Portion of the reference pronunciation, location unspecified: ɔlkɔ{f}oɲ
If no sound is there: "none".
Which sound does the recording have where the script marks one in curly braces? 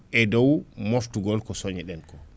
s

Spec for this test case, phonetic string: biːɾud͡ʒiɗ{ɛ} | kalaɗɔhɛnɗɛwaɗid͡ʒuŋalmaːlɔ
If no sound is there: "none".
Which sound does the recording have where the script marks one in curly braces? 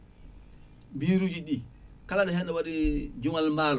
i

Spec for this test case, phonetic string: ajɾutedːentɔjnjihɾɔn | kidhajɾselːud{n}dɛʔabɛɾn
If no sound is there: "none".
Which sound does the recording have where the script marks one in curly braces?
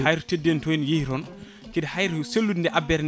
n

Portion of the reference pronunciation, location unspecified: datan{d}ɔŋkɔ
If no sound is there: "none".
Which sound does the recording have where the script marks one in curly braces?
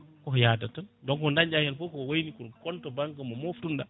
d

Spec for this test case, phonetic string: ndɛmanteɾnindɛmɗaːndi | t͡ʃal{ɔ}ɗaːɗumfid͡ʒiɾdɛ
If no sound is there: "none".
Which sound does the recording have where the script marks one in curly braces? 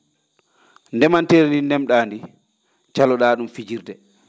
ɔ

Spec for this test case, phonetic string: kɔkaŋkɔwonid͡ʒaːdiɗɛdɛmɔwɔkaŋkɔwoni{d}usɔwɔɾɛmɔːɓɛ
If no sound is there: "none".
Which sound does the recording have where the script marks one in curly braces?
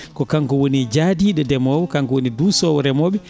d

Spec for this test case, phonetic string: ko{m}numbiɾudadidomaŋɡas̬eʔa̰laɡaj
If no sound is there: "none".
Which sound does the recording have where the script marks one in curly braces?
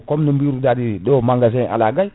m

